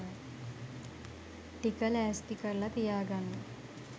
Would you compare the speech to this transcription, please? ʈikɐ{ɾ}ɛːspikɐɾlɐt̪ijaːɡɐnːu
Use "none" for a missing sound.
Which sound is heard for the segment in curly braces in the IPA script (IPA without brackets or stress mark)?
l